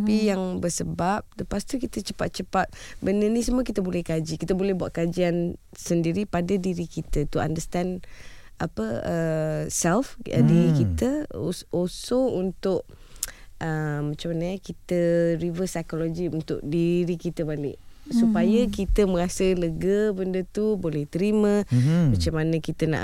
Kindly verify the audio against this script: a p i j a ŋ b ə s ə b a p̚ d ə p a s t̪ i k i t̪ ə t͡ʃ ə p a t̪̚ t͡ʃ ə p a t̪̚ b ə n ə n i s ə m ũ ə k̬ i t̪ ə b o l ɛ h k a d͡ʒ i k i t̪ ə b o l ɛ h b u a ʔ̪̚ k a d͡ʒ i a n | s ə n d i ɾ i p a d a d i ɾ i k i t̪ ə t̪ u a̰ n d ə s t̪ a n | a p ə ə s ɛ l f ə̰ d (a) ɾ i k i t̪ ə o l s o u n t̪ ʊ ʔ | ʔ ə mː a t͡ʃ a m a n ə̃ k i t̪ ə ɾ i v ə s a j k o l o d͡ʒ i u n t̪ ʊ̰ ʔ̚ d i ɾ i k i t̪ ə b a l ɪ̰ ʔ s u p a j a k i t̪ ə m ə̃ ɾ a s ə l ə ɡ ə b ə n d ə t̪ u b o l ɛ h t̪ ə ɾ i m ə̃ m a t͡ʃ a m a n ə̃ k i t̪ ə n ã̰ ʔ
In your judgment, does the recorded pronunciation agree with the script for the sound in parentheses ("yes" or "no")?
no